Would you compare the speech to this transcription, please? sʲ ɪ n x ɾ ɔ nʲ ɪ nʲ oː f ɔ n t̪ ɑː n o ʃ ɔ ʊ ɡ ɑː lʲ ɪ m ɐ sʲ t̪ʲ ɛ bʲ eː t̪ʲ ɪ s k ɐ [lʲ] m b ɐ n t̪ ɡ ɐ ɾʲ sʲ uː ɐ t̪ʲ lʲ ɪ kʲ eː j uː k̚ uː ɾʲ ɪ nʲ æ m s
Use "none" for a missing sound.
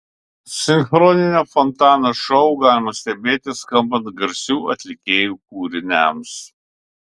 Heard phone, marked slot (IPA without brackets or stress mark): none